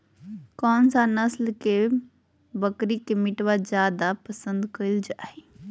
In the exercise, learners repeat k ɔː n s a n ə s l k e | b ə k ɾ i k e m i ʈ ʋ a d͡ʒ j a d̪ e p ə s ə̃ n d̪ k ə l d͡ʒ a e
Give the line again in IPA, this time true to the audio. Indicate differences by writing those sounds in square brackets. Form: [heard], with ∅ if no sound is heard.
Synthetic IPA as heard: k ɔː n s a n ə s l k e | b ə k ɾ i k e m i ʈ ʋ a d͡ʒ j a d̪ [a] p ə s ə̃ n d̪ k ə l d͡ʒ a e